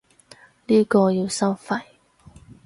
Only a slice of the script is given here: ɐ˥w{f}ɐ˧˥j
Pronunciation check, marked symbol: correct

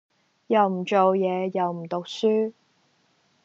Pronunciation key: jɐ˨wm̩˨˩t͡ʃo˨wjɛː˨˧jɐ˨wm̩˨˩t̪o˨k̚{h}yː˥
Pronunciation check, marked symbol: incorrect: s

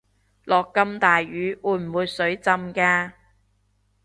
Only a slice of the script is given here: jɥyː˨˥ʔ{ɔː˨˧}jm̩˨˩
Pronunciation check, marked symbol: incorrect: uː˨˧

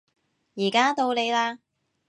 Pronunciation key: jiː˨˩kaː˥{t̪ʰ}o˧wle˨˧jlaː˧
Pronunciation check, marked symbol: incorrect: t̪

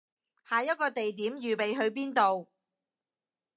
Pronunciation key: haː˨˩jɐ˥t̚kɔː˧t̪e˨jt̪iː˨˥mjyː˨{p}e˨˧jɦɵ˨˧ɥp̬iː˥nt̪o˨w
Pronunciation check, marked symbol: correct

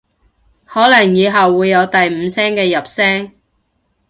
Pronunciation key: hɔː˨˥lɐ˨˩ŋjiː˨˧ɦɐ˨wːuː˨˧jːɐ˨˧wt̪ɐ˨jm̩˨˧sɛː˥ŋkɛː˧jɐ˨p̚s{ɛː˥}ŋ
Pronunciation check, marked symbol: correct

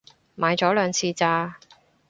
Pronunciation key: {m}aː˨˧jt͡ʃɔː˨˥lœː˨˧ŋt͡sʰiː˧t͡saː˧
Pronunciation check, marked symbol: correct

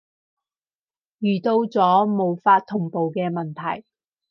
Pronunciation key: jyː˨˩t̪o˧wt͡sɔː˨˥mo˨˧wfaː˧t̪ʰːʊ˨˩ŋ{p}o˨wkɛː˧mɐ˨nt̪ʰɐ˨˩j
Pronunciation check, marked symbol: correct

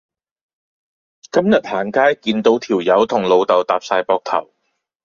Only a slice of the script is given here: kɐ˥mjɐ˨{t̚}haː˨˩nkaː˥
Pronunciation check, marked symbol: correct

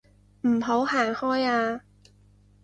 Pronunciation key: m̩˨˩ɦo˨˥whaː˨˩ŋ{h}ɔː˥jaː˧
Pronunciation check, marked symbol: correct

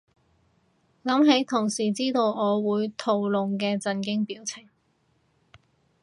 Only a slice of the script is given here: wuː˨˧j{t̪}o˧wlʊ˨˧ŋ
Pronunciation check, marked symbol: incorrect: t̪ʰ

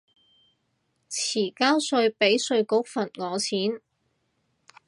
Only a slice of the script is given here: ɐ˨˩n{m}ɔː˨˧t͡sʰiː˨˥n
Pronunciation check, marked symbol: incorrect: ŋ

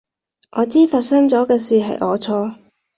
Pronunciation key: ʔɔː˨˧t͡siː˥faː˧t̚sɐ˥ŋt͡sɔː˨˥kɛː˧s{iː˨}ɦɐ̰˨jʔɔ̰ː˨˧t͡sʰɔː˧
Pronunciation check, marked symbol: correct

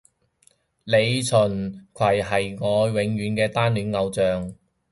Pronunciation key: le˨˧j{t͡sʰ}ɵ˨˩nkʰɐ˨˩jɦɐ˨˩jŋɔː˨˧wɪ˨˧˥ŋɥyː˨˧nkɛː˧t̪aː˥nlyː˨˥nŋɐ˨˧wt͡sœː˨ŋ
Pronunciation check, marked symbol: correct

